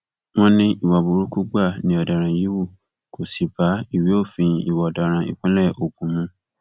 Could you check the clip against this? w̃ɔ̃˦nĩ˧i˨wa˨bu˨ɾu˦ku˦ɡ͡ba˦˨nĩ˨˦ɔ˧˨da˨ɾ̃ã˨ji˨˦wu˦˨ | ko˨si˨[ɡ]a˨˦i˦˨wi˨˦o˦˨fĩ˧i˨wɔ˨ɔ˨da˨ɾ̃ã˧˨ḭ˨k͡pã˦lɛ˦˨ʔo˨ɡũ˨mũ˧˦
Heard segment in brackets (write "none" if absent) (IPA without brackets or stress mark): b